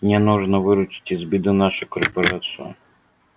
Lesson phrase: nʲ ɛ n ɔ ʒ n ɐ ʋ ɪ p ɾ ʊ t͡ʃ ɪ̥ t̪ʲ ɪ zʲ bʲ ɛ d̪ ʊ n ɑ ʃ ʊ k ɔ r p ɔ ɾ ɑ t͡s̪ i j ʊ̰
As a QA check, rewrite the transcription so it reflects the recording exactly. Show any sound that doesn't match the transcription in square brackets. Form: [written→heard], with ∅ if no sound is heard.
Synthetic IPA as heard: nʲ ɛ n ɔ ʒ n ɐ ʋ ɪ [p→∅] ɾ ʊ t͡ʃ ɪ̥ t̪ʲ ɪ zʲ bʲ [ɛ→i] d̪ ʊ n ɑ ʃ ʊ k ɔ r p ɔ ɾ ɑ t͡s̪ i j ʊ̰